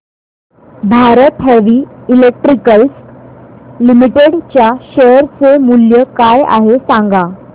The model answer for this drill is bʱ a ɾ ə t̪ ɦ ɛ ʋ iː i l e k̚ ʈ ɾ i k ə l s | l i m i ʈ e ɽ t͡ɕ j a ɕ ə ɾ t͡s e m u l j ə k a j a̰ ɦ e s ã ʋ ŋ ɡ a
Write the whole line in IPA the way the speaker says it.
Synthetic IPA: bʱ a ɾ ə t̪ ɦ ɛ ʋ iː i l e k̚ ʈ ɾ i k ə l s | l i m i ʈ e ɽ t͡ɕ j a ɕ ə ɾ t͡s e m u l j ə k a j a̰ ɦ e s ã ŋ ɡ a